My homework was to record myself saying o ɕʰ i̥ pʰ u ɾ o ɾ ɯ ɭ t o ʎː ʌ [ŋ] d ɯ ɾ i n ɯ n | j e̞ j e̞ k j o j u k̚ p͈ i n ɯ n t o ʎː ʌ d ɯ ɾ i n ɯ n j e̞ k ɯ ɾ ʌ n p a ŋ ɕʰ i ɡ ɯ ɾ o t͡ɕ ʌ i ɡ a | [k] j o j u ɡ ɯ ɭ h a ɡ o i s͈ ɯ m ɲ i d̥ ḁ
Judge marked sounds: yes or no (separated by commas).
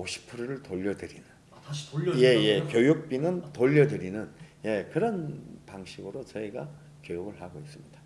no, yes